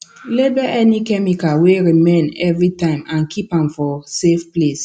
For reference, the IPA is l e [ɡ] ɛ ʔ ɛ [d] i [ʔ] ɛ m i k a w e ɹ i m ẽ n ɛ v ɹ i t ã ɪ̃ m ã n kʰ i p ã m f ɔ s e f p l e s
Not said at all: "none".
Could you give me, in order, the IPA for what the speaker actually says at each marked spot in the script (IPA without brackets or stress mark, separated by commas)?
b, n, k